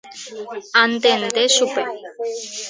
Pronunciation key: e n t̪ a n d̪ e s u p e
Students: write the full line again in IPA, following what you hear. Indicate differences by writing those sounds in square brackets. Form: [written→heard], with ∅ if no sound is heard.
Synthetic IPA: [e→a] n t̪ [a→e] n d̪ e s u p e

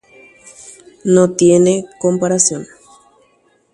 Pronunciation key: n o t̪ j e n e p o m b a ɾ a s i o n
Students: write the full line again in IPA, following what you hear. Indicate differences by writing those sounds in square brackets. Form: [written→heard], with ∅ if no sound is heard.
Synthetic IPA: n o t̪ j e n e [p→k] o m [b→p] a ɾ a s [i→j] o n

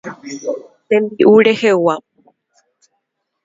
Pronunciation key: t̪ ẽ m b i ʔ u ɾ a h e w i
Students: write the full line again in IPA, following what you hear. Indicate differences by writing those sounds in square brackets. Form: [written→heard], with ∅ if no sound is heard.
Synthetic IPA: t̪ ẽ m b i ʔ u ɾ [a→e] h e w [i→a]

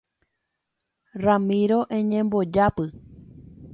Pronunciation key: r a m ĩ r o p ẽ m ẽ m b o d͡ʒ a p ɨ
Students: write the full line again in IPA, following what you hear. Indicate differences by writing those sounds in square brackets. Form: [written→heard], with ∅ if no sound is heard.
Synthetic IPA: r a m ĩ [r→ɾ] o [p→ʔ] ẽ [m→ɲ] ẽ m b o d͡ʒ a p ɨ

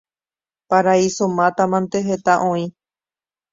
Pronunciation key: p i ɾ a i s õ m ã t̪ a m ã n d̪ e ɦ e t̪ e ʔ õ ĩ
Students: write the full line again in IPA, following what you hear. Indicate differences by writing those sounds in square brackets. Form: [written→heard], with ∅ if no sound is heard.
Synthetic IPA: p [i→a] ɾ a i s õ m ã t̪ a m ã n [d̪→t̪] e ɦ e t̪ [e→a] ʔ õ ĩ

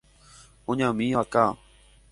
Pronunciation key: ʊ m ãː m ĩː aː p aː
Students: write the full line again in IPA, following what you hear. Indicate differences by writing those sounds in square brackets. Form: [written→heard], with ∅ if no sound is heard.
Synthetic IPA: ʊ [m→ɲ] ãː m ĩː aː [p→k] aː

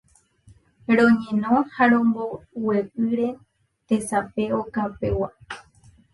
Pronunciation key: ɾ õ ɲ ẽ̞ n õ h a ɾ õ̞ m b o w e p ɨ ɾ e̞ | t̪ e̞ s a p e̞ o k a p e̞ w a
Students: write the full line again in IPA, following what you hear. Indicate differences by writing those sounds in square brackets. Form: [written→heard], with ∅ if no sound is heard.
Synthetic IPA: ɾ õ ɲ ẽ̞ n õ h a ɾ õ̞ m b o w e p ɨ ɾ e̞ | t̪ e̞ s a p e̞ o k a p e̞ w a

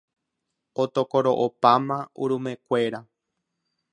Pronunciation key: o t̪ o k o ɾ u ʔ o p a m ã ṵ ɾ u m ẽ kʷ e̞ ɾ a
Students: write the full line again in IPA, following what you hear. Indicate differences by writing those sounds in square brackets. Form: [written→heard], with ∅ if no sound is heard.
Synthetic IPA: o t̪ o k o ɾ [u→o] ʔ o p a m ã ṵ ɾ u m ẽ kʷ e̞ ɾ a

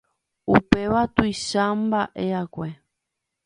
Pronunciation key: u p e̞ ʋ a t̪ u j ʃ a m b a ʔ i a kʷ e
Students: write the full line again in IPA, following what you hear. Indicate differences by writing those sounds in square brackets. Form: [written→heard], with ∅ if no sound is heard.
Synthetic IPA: u p e̞ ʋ a t̪ u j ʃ a m b a ʔ [i→e] a kʷ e

